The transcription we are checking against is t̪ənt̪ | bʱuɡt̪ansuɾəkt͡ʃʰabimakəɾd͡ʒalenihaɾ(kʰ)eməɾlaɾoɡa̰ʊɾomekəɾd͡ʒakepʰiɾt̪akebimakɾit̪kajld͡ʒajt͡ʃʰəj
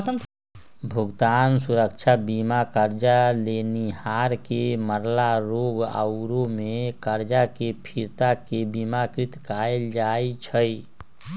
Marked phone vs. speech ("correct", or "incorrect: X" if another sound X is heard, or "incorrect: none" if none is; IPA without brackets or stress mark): incorrect: k